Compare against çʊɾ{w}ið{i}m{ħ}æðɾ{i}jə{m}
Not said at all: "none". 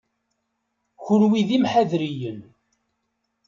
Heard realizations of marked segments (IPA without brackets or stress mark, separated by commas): w, i, ħ, i, n